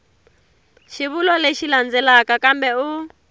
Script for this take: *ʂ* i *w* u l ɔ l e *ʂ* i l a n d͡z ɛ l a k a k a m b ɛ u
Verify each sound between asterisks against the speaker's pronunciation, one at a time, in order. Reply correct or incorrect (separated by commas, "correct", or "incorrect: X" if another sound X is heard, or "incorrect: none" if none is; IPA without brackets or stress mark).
incorrect: ʃ, incorrect: β, incorrect: ʃ